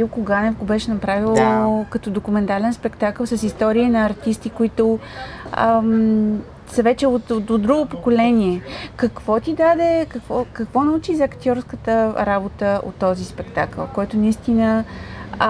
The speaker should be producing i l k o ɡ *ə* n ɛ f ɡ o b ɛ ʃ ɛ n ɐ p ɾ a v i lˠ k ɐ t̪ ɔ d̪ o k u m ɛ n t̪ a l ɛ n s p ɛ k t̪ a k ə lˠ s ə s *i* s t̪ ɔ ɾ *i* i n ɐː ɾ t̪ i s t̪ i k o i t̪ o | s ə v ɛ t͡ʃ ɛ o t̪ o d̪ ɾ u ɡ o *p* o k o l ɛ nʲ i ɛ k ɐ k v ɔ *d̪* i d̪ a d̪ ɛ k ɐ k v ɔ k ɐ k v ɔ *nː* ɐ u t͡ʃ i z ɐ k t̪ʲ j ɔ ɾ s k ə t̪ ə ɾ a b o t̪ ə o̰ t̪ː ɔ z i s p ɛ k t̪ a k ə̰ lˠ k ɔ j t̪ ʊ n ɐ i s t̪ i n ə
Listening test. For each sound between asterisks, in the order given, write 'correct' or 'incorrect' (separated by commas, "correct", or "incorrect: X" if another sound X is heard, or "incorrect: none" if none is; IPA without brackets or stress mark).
incorrect: a, correct, correct, correct, incorrect: t̪, incorrect: n